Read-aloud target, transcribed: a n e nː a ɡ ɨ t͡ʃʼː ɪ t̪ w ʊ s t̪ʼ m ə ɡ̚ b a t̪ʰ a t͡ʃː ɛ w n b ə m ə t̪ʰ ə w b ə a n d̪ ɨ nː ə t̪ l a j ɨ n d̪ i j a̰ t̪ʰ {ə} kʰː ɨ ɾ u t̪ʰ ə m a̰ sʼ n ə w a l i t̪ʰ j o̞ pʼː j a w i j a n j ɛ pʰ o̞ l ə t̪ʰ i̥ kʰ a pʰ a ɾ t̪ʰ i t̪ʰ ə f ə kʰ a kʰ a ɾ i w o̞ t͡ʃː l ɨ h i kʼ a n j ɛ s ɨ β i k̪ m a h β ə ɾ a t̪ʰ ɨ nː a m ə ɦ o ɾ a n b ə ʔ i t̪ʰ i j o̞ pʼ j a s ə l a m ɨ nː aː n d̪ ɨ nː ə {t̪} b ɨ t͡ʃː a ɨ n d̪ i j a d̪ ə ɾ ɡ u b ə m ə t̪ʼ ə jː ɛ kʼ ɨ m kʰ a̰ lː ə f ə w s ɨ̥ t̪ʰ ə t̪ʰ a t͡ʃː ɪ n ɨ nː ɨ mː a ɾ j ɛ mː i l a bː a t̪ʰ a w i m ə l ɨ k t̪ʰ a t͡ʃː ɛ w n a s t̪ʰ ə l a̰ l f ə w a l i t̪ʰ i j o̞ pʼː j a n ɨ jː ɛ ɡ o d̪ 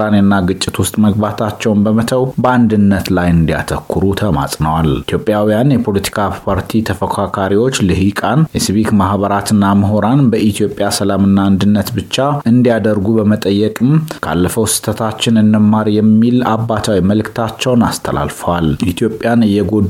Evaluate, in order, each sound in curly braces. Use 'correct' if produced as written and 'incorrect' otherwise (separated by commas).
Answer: correct, correct